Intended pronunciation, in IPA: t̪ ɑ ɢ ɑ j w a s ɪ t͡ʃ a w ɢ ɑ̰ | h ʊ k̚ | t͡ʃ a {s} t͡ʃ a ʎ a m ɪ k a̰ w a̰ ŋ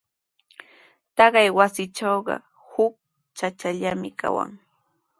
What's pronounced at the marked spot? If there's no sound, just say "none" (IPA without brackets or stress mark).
none